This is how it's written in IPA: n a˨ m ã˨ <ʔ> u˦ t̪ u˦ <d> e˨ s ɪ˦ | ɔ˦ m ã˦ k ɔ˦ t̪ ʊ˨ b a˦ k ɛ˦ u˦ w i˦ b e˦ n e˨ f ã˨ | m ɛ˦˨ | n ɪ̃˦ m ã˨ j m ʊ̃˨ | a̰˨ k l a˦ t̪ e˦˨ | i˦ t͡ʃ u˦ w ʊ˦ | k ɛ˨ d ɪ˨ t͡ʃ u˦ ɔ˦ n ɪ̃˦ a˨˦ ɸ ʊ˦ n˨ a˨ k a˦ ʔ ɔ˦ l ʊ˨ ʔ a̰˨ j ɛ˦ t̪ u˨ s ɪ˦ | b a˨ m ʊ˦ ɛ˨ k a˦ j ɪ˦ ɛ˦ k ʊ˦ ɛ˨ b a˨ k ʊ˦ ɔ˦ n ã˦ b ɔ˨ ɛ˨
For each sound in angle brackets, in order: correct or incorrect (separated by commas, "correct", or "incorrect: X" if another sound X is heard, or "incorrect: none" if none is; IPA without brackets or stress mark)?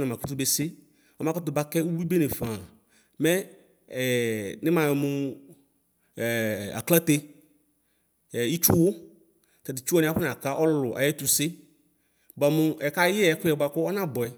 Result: incorrect: k, incorrect: b